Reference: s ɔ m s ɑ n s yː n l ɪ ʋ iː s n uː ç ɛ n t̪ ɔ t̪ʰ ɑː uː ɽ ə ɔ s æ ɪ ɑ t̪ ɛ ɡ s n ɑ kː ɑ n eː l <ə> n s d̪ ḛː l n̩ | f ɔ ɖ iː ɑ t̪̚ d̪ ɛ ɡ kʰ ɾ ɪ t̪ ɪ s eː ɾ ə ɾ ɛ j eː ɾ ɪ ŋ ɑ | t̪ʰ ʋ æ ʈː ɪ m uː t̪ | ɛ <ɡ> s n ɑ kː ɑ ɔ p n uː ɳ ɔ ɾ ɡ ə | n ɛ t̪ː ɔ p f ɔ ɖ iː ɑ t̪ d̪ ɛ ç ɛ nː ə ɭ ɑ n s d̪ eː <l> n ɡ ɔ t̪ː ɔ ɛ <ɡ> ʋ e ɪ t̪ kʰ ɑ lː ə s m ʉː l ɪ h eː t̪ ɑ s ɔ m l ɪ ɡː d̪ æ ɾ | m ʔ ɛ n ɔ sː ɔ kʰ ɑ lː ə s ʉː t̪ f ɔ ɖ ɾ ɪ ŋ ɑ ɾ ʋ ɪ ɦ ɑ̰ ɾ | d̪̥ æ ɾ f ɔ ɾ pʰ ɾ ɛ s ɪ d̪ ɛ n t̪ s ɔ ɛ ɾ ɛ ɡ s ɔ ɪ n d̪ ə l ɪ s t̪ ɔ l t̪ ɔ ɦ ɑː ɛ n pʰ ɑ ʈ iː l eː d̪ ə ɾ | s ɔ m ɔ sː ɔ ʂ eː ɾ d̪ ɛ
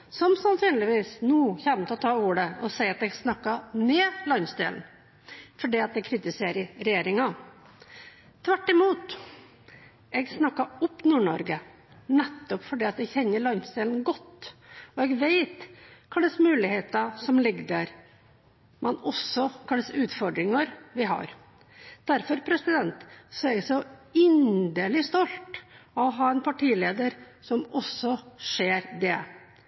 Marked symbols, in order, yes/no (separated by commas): no, yes, yes, yes